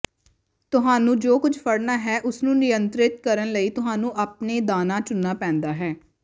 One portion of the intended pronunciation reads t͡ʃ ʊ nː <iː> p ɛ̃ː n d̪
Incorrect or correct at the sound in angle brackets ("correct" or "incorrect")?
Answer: incorrect